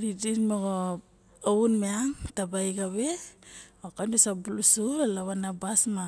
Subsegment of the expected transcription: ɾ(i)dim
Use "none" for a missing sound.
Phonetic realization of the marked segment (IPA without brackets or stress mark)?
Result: i